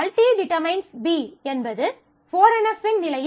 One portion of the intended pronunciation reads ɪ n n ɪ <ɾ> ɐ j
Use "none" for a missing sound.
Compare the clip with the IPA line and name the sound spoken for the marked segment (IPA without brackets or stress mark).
l